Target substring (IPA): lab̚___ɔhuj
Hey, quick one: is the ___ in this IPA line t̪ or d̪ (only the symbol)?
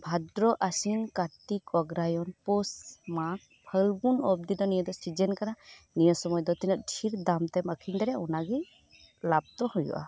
t̪